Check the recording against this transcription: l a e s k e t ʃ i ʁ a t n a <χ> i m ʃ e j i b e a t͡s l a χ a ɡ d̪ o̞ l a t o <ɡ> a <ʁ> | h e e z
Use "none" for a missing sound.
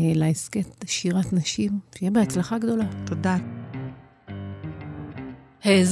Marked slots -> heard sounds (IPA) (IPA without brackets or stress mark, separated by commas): ʃ, d, none